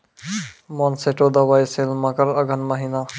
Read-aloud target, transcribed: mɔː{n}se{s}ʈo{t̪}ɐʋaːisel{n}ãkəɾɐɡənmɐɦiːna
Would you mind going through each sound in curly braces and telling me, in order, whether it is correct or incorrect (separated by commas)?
correct, incorrect, incorrect, incorrect